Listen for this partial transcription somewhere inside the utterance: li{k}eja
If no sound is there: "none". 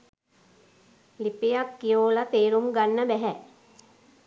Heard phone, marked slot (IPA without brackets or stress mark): p